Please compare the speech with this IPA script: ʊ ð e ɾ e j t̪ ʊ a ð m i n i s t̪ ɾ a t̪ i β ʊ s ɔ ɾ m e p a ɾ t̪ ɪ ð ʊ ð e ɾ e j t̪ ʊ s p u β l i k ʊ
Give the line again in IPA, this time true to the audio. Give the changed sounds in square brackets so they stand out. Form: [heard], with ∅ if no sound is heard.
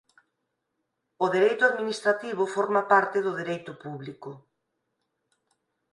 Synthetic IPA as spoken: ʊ ð e ɾ e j t̪ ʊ a ð m i n i s t̪ ɾ a t̪ i β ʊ [f] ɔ ɾ m [a] p a ɾ t̪ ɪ ð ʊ ð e ɾ e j t̪ ʊ [∅] p u β l i k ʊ